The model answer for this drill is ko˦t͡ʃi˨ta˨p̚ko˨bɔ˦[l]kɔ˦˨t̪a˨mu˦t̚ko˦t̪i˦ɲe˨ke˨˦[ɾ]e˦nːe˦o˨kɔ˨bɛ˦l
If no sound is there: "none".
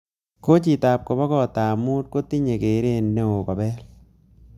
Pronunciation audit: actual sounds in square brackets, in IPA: none, ɾ

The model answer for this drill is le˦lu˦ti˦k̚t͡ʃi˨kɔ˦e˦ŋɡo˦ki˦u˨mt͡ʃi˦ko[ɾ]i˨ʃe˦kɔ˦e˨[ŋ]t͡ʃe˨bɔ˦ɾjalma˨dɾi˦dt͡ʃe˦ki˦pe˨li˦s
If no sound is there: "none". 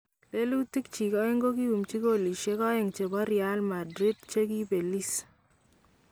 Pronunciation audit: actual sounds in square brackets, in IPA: l, ŋ

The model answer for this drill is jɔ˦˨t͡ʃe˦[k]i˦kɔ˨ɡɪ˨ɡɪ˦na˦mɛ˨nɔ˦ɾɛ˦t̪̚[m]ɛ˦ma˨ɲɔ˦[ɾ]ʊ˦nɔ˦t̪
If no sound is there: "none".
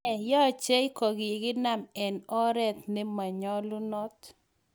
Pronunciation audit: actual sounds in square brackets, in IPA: none, n, l

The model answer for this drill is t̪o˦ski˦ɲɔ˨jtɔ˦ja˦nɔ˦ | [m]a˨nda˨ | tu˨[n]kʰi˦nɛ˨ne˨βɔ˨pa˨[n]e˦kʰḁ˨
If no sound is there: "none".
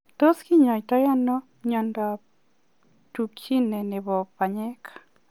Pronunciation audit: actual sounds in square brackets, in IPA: ɲ, none, ɲ

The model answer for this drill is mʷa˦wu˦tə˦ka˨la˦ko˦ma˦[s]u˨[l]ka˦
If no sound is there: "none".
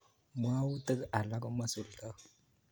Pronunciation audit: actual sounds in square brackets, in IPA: s, l

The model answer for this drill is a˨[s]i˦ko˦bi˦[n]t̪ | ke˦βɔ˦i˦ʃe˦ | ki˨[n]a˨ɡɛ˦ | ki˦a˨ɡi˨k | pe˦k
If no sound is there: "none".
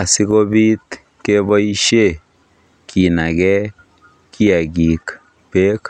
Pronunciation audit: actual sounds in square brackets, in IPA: s, none, n

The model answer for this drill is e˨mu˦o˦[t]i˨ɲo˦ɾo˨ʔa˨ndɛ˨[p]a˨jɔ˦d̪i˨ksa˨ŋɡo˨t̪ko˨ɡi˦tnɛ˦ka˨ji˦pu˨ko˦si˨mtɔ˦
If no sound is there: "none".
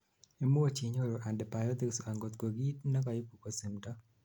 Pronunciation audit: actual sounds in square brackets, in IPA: t͡ʃ, p

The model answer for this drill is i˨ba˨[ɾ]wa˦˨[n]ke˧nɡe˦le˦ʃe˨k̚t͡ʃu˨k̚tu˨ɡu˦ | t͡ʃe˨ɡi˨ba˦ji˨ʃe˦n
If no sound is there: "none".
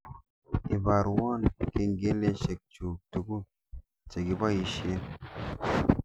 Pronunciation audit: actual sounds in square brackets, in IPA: ɾ, n

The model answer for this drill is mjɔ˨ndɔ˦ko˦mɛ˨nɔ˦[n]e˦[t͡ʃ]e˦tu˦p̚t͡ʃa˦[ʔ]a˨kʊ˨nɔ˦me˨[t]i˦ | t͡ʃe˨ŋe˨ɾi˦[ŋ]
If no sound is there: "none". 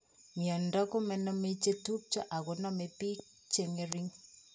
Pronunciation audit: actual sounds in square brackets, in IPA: m, t͡ʃ, ʔ, p, ŋ

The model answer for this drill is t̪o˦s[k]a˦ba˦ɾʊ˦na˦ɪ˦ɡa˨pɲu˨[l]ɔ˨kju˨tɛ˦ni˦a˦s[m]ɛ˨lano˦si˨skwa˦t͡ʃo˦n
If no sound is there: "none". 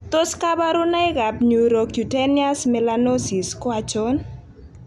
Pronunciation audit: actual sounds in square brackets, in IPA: k, ɾ, m

